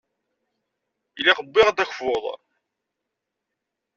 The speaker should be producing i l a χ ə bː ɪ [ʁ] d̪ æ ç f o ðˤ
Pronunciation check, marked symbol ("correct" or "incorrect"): correct